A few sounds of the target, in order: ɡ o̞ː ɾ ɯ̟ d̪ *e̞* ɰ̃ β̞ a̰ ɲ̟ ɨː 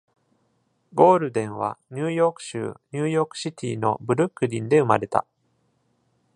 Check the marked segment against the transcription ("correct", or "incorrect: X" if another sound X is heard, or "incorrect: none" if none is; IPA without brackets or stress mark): incorrect: ẽ̞